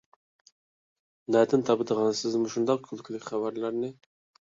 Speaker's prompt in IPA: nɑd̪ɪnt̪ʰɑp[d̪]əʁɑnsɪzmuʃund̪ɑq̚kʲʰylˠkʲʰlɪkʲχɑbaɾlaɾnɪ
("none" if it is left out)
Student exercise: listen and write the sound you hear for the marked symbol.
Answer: d̪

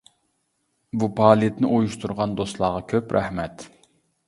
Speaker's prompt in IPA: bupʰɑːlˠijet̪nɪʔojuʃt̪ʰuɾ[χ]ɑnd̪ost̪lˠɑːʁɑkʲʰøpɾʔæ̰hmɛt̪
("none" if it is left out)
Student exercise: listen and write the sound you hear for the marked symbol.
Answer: ʁ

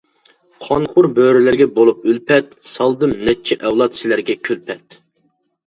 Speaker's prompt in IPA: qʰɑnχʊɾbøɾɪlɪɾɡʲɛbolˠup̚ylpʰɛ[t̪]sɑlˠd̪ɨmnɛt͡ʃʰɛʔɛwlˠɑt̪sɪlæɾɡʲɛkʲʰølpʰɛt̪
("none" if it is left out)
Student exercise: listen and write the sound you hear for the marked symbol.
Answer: t̪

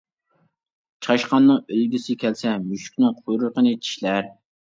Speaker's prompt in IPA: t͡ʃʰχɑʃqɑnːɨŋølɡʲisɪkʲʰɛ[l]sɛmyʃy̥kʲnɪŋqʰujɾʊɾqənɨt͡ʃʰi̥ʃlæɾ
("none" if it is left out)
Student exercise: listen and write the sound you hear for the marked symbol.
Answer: l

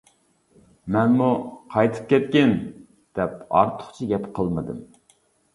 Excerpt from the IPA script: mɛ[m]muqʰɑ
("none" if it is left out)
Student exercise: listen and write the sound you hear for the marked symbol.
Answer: n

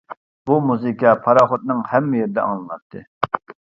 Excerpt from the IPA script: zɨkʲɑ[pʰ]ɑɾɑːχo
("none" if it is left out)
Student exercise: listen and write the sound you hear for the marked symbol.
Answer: pʰ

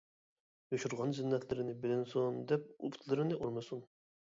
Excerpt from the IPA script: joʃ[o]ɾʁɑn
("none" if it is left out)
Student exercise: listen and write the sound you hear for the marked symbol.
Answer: u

